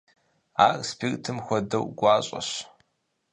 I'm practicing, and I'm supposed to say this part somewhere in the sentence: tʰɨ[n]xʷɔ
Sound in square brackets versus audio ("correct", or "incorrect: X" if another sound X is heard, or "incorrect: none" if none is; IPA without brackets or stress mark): incorrect: m